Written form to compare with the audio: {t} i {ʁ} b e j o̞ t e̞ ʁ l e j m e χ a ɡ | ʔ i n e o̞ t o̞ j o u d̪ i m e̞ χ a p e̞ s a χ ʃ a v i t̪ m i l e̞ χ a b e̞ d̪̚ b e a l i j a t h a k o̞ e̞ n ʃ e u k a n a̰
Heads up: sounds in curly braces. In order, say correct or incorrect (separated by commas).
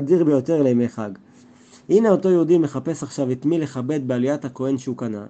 incorrect, correct